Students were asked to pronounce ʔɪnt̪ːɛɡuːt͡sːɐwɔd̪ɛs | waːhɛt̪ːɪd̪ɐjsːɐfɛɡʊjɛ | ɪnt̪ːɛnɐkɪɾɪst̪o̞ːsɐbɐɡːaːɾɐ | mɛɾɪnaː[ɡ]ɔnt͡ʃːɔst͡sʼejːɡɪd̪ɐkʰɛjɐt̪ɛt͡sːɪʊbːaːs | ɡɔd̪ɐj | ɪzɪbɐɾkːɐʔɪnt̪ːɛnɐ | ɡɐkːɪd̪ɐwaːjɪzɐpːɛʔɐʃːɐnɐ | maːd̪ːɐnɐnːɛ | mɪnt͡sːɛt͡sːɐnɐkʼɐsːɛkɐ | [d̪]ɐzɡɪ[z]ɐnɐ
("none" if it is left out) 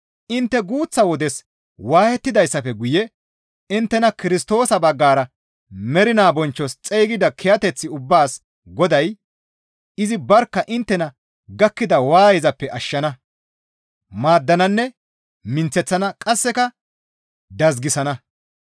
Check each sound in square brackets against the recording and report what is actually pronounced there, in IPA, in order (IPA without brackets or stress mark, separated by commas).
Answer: b, d̪, s